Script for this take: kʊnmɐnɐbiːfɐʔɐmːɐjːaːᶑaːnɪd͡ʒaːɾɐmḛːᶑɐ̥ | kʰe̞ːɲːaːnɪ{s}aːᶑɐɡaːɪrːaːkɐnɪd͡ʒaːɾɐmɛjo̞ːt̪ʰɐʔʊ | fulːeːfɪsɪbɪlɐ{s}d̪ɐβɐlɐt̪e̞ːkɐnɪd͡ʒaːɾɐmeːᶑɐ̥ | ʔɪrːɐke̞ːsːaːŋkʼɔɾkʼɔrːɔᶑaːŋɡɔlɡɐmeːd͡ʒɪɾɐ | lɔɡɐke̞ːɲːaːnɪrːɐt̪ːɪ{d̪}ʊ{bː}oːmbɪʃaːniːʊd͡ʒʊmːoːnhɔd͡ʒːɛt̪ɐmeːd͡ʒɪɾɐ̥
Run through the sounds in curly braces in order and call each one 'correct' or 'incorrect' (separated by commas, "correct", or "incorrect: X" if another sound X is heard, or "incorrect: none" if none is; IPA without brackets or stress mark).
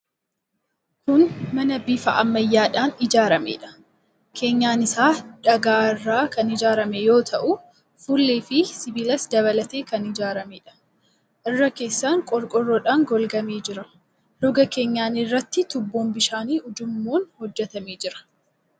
correct, correct, incorrect: t̪, correct